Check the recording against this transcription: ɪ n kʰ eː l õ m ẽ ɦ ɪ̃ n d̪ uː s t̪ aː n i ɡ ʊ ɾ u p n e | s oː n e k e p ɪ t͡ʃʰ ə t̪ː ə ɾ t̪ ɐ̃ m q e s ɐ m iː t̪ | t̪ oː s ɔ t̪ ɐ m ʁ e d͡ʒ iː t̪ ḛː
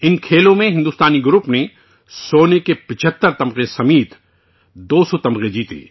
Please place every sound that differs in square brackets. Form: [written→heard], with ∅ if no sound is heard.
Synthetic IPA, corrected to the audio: ɪ n kʰ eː l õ m ẽ ɦ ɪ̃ n d̪ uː s t̪ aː n i ɡ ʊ ɾ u p n e | s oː n e k e p ɪ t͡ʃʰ ə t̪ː ə ɾ t̪ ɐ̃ m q e s ɐ m iː t̪ | [t̪→d̪] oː s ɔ t̪ ɐ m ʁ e d͡ʒ iː t̪ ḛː